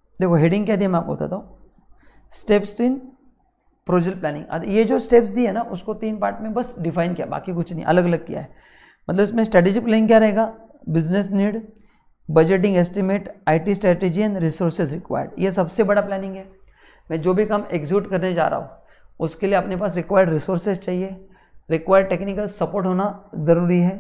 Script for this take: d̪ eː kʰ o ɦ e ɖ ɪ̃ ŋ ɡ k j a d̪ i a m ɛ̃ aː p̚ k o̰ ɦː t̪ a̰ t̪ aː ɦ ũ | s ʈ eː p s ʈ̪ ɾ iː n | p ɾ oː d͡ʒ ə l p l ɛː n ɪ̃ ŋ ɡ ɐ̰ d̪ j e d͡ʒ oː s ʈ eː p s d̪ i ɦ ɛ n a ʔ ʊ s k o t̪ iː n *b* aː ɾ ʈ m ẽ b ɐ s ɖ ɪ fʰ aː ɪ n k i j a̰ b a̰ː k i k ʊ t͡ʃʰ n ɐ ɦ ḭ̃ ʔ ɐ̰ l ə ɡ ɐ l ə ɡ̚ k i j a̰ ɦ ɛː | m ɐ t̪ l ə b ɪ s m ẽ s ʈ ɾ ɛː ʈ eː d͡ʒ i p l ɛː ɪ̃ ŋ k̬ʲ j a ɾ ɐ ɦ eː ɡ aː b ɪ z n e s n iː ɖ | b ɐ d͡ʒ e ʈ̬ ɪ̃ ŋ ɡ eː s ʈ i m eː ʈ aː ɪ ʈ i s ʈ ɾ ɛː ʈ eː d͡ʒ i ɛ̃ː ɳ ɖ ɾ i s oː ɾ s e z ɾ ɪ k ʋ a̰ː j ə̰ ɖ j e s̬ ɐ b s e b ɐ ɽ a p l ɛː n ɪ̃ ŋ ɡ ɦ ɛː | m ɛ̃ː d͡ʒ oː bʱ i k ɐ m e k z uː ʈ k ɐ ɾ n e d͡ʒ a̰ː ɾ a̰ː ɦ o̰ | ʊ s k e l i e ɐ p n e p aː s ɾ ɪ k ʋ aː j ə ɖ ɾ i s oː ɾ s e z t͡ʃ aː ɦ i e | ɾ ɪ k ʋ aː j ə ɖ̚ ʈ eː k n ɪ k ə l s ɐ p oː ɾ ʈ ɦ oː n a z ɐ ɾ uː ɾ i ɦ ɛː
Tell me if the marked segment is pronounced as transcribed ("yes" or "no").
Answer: no